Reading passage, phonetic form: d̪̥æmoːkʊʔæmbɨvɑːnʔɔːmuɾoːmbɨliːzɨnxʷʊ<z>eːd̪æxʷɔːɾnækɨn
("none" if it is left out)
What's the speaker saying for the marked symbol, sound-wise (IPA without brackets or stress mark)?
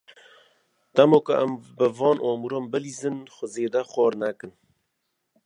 z